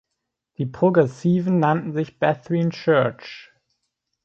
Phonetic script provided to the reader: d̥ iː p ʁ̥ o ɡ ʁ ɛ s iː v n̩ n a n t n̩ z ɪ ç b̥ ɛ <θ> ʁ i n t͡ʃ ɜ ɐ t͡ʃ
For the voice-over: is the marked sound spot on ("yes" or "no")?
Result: yes